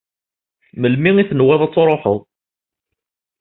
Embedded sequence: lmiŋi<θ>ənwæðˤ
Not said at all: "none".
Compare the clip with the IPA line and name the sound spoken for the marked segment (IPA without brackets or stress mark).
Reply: θ